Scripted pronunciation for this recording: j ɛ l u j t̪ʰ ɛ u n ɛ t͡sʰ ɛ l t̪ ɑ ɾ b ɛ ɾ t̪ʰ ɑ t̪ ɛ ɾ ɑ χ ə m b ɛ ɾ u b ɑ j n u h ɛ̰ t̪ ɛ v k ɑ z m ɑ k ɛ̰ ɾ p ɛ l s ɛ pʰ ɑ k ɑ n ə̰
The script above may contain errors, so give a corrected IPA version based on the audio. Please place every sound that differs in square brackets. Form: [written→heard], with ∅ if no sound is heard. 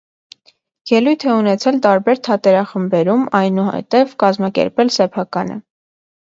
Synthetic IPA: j ɛ l u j t̪ʰ ɛ u n ɛ t͡sʰ ɛ l t̪ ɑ ɾ b ɛ ɾ t̪ʰ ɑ t̪ ɛ ɾ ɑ χ ə m b ɛ ɾ u [b→m] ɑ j n u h ɛ̰ t̪ ɛ v k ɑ z m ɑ k ɛ̰ ɾ p ɛ l s ɛ pʰ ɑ k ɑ n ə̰